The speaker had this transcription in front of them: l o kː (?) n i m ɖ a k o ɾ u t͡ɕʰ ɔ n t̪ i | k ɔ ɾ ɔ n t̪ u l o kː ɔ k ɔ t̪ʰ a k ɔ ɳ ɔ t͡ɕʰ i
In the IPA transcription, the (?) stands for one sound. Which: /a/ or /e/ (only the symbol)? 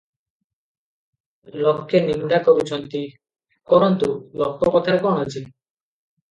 e